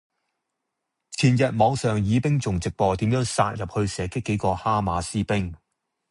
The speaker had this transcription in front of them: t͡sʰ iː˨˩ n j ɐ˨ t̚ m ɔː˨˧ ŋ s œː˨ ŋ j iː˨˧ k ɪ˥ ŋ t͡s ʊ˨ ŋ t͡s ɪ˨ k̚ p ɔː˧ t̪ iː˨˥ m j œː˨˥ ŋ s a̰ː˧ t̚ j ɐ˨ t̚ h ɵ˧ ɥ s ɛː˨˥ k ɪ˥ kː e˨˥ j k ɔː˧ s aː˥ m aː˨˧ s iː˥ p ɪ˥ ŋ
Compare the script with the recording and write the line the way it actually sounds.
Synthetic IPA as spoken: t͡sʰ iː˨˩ n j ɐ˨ t̚ m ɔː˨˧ ŋ s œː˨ ŋ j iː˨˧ p ɪ˥ ŋ t͡s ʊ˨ ŋ t͡s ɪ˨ k̚ p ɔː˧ t̪ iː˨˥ m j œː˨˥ ŋ s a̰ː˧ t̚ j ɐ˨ p̚ h ɵ˧ ɥ s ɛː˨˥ k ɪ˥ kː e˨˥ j k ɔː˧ h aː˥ m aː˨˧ s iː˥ p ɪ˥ ŋ

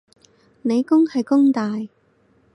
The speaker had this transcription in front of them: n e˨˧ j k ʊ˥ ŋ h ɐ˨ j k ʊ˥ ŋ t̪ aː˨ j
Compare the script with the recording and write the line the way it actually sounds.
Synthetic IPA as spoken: n e˨˧ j k ʊ˥ ŋ h ɐ˨ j k ʊ˥ ŋ t̪ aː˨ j

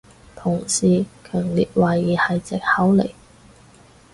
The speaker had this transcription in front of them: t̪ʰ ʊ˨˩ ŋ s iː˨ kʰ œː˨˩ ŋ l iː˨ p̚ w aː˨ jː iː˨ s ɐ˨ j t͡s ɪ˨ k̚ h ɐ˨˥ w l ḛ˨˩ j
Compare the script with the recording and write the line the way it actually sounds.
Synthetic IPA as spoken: t̪ʰ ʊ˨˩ ŋ s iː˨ kʰ œː˨˩ ŋ l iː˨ t̚ w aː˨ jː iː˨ h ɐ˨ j t͡s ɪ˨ k̚ h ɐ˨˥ w l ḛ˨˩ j

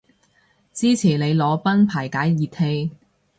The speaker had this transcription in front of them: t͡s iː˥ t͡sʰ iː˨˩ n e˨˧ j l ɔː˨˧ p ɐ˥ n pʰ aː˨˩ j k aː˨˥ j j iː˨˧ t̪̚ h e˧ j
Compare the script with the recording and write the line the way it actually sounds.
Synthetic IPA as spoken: t͡s iː˥ t͡sʰ iː˨˩ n e˨˧ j l ɔː˨˧ p ɐ˥ n pʰ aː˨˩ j k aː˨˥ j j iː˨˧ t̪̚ h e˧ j

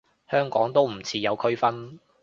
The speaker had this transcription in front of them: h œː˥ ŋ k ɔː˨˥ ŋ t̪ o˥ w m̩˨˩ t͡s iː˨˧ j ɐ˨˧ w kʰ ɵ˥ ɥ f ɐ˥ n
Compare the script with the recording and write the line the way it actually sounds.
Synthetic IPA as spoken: h œː˥ ŋ k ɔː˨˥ ŋ t̪ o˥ w m̩˨˩ t͡sʰ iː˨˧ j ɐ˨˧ w kʰ ɵ˥ ɥ f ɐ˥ n

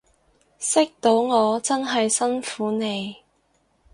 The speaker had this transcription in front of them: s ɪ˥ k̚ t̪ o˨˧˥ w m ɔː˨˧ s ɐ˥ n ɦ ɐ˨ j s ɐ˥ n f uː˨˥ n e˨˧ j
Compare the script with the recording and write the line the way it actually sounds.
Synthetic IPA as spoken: s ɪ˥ k̚ t̪ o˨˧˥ w ŋ ɔː˨˧ t͡s ɐ˥ n ɦ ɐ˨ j s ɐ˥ n f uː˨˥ n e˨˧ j

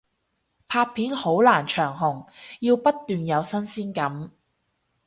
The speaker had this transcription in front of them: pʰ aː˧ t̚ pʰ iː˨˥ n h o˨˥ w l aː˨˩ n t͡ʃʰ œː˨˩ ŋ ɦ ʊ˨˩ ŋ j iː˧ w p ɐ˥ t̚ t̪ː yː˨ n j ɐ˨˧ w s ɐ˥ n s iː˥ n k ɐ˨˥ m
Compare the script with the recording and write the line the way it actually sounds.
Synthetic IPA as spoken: pʰ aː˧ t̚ pʰ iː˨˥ n h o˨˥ w l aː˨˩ n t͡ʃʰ œː˨˩ ŋ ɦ ʊ˨˩ ŋ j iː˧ w p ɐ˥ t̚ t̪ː yː˨ n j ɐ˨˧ w s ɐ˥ n s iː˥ n k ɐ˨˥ m

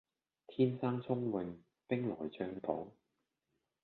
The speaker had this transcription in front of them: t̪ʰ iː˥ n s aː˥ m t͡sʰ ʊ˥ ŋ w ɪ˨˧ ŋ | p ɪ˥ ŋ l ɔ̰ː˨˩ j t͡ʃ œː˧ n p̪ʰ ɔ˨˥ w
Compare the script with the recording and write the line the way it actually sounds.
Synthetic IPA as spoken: t̪ʰ iː˥ n s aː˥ ŋ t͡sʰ ʊ˥ ŋ w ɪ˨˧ ŋ | p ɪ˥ ŋ l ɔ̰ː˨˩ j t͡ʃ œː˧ ŋ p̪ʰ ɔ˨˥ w

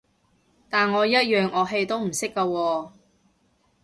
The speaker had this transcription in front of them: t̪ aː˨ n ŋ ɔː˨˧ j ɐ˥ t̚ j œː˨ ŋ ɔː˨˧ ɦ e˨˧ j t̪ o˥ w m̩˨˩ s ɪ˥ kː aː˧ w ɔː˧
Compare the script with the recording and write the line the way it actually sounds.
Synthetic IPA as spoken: t̪ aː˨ n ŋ ɔː˨˧ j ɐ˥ t̚ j œː˨ ŋ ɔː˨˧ ɦ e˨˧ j t̪ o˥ w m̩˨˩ s ɪ˥ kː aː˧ w ɔː˧

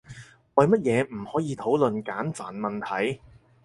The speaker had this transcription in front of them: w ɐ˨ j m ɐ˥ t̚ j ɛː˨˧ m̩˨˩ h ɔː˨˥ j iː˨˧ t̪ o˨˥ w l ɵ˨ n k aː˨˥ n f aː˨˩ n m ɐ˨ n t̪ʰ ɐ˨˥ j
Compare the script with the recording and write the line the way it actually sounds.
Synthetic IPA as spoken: w ɐ˨ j m ɐ˥ t̚ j ɛː˨˧ m̩˨˩ h ɔː˨˥ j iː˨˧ t̪ʰ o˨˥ w l ɵ˨ n k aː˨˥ n f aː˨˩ n m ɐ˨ n t̪ʰ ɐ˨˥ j

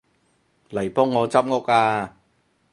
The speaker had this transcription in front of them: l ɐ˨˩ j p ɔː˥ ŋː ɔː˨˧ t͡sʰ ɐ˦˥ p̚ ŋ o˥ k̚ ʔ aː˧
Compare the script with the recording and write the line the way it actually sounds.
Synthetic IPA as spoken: l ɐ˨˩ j p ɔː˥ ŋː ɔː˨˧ t͡s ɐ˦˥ p̚ ŋ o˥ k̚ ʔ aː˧

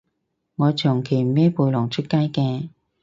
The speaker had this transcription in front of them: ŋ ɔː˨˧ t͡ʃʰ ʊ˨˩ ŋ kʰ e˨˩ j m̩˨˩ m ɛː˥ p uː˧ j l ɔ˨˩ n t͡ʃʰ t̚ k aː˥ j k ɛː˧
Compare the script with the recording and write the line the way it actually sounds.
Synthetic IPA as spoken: ŋ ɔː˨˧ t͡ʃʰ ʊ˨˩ ŋ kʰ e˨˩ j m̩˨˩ m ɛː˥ p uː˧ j l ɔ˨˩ ŋ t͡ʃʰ t̚ k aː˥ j k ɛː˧

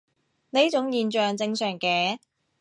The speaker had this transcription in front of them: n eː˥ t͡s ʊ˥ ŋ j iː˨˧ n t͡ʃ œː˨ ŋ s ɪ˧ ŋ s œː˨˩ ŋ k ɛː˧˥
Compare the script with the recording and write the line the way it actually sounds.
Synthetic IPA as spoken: n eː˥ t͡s ʊ˨˥ ŋ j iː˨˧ n t͡ʃ œː˨ ŋ t͡s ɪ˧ ŋ s œː˨˩ ŋ k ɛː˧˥

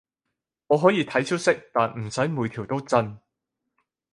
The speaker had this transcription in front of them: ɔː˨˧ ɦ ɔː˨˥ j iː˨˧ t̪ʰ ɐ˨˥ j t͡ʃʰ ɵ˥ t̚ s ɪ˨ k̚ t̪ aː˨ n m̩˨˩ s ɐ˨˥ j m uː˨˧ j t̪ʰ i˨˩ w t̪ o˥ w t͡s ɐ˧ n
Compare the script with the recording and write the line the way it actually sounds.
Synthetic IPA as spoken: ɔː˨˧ ɦ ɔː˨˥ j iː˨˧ t̪ʰ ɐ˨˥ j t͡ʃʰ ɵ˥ t̚ s ɪ˥ k̚ t̪ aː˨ n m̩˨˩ s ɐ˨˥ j m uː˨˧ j t̪ʰ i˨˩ w t̪ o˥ w t͡s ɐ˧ n

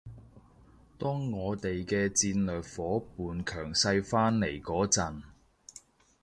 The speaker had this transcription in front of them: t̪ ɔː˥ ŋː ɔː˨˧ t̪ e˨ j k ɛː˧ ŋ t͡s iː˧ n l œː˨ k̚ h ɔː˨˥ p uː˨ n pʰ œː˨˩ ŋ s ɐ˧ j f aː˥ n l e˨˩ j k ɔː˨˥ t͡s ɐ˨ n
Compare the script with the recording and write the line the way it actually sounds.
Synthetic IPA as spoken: t̪ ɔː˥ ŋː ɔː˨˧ t̪ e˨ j k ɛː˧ t͡s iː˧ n l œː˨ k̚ f ɔː˨˥ p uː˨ n kʰ œː˨˩ ŋ s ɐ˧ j f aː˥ n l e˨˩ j k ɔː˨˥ t͡s ɐ˨ n

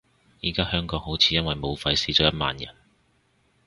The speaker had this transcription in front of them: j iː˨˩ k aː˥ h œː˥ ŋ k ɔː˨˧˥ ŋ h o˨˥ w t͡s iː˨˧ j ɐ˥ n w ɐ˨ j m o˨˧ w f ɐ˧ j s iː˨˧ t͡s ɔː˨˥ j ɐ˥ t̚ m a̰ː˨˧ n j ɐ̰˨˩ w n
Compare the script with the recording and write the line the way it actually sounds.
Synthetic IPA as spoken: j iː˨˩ k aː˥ h œː˥ ŋ k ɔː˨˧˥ ŋ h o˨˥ w t͡sʰ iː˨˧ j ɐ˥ n w ɐ˨ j m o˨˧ w f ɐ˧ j s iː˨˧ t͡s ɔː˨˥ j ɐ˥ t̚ m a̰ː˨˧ n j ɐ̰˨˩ n

